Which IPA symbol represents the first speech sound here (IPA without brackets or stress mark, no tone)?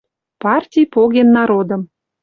p